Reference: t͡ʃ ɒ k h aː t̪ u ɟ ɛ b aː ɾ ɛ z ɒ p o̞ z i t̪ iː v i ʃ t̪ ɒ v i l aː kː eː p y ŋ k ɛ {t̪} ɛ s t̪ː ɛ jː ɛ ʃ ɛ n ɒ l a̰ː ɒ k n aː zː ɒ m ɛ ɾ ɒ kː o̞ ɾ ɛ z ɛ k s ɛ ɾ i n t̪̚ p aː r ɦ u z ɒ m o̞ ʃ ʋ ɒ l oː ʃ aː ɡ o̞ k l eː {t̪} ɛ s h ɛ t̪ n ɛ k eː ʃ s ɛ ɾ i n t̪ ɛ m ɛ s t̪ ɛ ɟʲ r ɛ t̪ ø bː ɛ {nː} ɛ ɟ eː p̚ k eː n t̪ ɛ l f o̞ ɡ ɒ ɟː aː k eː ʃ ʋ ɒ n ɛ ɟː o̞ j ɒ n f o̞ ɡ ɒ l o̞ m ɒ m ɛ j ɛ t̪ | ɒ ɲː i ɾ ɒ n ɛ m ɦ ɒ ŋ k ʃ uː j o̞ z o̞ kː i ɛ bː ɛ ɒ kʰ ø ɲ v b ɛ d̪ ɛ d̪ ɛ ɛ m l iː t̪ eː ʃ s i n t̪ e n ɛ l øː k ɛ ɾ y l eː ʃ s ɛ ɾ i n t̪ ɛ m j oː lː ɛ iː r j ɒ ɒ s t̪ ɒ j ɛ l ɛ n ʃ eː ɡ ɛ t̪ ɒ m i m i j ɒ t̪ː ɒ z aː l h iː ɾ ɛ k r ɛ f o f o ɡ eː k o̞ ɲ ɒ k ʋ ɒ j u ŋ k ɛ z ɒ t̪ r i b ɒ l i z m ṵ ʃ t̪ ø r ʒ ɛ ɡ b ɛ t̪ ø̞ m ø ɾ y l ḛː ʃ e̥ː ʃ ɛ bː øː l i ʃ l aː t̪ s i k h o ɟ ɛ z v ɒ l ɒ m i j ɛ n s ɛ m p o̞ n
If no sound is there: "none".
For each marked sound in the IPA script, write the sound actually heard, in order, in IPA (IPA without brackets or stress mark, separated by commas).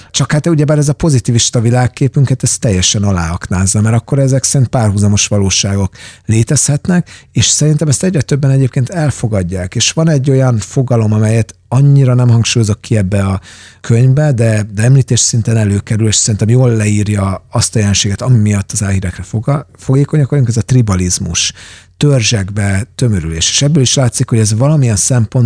t̪, t̪, n